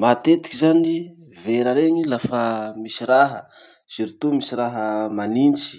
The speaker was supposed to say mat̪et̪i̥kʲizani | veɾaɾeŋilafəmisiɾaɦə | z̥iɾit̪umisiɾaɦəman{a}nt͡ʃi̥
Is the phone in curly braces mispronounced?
yes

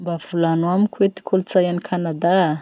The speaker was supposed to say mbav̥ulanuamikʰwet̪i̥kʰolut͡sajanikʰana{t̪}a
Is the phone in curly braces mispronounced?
yes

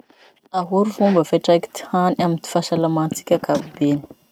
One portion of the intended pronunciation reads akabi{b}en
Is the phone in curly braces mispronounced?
no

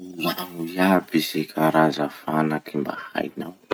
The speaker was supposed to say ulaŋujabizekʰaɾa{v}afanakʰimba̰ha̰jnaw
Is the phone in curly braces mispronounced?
yes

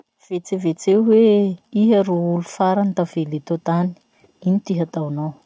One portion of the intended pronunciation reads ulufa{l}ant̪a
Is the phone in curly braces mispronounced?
yes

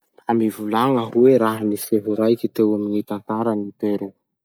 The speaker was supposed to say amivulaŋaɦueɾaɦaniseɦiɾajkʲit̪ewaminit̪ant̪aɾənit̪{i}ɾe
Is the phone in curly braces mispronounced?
yes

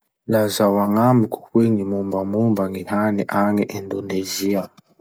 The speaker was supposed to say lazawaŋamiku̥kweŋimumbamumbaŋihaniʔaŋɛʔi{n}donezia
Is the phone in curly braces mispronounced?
no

